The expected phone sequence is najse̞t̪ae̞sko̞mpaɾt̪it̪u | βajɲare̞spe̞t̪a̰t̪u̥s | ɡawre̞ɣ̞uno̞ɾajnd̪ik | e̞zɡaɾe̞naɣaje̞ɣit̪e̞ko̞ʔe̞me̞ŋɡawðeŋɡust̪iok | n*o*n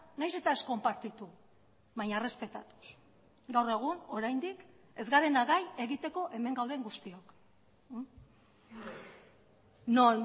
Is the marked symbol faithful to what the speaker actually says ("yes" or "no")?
yes